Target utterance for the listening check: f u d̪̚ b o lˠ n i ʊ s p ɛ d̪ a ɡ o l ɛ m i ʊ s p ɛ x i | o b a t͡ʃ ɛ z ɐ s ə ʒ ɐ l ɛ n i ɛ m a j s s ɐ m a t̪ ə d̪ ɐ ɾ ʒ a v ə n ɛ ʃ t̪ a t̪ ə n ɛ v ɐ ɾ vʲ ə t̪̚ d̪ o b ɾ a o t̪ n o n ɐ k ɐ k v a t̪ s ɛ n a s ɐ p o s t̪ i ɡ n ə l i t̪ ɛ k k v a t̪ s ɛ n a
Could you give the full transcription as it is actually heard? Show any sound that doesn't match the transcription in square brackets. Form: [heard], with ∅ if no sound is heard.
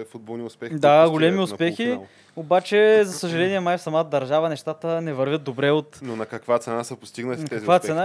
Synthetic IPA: f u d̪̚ b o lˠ n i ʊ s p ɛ d̪ a ɡ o l ɛ m i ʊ s p ɛ x i | o b a t͡ʃ ɛ z ɐ s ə ʒ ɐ l ɛ n i ɛ m a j [f] s ɐ m a t̪ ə d̪ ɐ ɾ ʒ a v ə n ɛ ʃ t̪ a t̪ ə n ɛ v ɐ ɾ vʲ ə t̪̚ d̪ o b ɾ [ɛ] o t̪ n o n ɐ k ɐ k v a t̪ s ɛ n a s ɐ p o s t̪ i ɡ n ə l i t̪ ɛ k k v a t̪ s ɛ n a